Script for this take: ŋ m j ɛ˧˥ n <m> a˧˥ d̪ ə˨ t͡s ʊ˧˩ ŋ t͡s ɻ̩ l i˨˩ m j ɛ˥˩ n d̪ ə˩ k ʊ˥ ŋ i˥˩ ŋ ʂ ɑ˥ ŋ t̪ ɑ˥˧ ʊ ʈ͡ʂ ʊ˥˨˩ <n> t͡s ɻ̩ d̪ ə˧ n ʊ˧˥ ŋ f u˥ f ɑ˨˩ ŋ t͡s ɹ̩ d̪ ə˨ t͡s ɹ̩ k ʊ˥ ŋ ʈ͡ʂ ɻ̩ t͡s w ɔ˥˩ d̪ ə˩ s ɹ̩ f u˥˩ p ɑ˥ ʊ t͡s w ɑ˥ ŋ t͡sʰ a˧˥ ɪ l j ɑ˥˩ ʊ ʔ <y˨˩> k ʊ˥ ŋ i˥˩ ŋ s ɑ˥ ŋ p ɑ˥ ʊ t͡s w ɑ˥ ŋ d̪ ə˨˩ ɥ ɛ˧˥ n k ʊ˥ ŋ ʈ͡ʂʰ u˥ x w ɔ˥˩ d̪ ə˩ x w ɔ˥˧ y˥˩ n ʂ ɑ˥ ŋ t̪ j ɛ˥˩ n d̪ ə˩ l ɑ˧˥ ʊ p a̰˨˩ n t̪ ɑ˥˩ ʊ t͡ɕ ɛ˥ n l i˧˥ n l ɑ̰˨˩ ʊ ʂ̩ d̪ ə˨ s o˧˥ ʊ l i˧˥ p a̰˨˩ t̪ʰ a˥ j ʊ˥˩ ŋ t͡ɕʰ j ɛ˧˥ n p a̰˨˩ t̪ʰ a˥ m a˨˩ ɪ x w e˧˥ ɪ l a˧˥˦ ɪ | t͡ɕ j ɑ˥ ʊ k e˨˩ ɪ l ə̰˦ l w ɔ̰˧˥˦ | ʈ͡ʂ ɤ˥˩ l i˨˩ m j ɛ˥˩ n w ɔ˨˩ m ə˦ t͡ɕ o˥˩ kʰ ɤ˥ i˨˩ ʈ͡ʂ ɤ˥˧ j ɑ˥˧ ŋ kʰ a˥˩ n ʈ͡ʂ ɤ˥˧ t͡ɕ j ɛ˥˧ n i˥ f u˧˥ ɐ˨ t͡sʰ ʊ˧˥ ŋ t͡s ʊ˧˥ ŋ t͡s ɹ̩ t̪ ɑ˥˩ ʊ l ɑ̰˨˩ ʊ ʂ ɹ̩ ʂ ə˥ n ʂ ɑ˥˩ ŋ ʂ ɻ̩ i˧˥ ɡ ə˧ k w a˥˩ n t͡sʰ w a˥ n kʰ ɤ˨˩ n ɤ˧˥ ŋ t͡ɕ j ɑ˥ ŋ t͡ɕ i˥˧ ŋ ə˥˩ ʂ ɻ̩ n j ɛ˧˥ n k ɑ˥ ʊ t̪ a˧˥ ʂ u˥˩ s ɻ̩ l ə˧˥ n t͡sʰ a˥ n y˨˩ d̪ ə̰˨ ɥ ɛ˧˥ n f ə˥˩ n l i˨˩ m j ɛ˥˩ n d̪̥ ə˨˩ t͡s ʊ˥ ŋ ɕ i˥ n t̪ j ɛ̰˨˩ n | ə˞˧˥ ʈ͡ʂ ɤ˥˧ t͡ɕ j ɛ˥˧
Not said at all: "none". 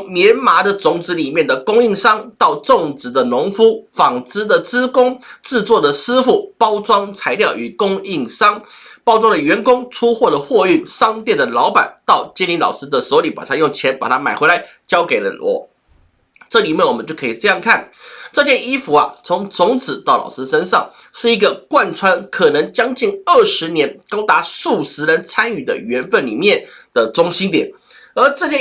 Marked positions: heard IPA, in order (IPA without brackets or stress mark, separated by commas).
m, ŋ, y˨˩